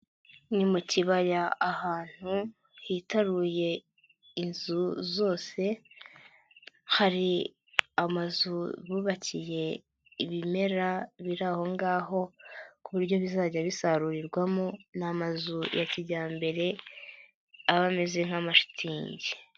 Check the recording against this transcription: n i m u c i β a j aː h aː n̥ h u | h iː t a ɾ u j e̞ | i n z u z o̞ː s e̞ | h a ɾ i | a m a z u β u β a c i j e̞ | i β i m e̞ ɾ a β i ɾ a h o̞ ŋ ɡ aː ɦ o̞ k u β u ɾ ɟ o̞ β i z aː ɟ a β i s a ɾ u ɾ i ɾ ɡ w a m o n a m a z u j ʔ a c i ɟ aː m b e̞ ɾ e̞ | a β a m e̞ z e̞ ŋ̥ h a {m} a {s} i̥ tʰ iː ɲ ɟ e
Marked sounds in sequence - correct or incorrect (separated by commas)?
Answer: correct, incorrect